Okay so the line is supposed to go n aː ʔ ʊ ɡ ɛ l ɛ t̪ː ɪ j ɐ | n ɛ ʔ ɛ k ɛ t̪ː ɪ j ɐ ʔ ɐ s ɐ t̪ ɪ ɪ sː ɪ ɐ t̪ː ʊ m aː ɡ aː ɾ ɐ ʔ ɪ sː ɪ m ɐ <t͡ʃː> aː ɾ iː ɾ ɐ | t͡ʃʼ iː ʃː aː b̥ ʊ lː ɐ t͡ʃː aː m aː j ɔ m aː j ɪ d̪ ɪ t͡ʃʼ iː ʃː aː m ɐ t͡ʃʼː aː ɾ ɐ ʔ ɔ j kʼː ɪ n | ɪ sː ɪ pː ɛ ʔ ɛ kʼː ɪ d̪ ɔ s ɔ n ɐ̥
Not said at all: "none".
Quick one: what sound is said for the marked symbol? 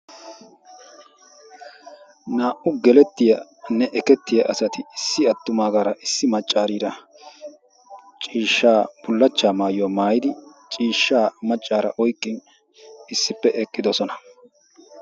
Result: t͡ʃʼː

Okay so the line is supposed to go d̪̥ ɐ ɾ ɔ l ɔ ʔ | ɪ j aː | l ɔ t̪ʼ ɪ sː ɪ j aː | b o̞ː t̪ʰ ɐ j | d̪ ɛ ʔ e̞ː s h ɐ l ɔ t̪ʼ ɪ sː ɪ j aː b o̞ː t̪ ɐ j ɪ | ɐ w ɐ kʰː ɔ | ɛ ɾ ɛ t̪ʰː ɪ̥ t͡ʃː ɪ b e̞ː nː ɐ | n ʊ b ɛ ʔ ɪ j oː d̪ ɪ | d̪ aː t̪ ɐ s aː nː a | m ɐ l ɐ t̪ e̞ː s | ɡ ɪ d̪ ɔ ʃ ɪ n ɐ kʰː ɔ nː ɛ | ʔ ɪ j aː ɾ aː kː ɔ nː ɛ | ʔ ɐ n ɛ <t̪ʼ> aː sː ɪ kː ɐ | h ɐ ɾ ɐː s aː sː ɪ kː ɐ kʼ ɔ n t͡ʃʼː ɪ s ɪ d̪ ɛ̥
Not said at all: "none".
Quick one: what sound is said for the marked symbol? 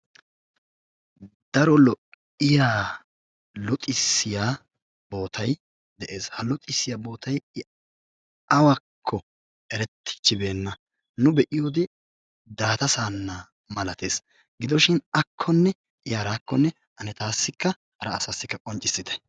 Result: t̪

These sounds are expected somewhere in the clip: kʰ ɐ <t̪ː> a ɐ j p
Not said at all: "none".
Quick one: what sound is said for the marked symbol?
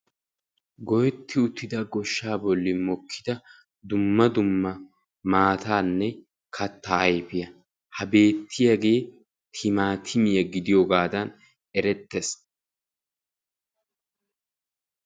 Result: t̪ː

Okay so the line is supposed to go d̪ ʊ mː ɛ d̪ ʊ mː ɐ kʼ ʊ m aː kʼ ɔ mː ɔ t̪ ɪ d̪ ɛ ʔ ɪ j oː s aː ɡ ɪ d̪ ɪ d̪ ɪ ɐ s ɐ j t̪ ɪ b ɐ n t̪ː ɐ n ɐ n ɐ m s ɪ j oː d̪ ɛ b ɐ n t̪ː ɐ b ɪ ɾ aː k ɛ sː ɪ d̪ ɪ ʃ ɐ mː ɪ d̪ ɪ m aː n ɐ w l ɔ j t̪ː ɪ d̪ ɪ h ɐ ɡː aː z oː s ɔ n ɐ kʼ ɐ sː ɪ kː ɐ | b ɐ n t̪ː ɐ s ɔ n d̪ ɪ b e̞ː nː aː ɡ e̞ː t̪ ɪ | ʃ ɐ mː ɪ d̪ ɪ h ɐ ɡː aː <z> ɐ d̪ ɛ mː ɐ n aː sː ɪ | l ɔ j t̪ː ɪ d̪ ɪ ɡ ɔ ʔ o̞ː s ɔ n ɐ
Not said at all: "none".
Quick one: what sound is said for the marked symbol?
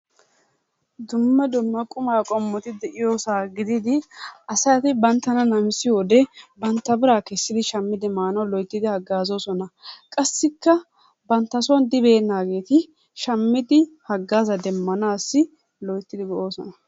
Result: z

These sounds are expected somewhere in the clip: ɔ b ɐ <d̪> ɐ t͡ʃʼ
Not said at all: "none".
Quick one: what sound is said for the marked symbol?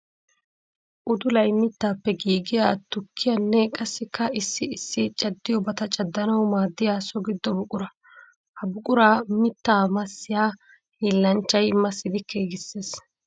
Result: t̪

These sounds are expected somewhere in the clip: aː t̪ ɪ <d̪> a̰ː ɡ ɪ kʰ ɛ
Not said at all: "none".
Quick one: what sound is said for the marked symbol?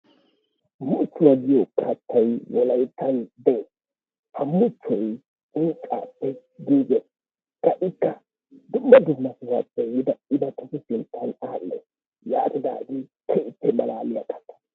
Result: d̪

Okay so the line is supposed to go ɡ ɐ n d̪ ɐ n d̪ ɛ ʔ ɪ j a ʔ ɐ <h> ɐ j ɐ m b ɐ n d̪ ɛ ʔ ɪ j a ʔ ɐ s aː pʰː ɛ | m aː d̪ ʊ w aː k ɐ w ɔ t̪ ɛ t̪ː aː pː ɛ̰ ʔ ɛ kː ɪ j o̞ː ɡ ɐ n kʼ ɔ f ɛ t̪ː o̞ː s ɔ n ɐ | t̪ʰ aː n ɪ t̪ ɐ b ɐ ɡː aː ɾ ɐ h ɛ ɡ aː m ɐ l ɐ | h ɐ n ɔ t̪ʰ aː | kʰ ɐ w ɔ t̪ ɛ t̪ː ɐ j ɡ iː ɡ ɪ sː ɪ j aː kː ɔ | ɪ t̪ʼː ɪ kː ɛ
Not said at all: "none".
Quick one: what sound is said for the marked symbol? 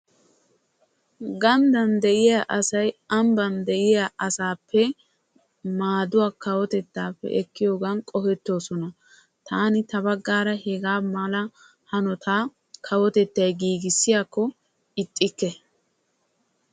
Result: s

